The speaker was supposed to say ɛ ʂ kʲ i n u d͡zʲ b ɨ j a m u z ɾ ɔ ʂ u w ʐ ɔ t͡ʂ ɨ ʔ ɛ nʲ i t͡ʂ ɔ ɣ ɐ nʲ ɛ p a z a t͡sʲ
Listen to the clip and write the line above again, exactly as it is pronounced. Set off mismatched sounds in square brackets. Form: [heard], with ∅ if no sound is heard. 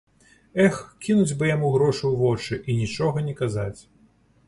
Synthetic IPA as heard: ɛ [x] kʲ i n u d͡zʲ b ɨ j a m u [ɣ] ɾ ɔ ʂ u w [v] ɔ t͡ʂ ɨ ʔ [i] nʲ i t͡ʂ ɔ ɣ ɐ nʲ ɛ [k] a z a t͡sʲ